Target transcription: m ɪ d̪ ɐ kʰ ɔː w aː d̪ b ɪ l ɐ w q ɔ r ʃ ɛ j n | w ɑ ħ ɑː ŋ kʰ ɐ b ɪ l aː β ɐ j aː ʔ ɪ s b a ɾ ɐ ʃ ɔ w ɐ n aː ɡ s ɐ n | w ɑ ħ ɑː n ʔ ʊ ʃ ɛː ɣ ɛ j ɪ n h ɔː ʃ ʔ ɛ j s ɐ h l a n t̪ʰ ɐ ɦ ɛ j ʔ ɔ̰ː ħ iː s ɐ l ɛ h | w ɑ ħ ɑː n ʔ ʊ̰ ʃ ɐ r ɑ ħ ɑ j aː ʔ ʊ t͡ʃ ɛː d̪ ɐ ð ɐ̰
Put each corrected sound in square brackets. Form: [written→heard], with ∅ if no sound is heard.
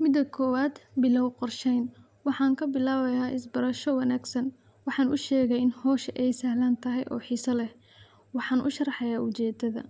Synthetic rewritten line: m ɪ d̪ ɐ kʰ ɔː w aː d̪ b ɪ l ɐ w q ɔ r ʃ ɛ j n | w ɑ ħ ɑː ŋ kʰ ɐ b ɪ l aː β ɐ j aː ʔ ɪ s b [a→ɐ] ɾ ɐ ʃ ɔ w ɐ n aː ɡ s ɐ n | w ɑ ħ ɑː n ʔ ʊ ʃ ɛː ɣ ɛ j ɪ n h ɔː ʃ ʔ ɛ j s ɐ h l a n t̪ʰ ɐ ɦ ɛ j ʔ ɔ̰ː ħ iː s ɐ l ɛ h | w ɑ ħ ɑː n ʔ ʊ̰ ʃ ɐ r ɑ ħ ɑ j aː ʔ ʊ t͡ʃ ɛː d̪ ɐ ð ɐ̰